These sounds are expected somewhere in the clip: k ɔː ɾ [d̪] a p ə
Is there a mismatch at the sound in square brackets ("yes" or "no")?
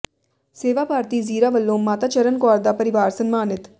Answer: no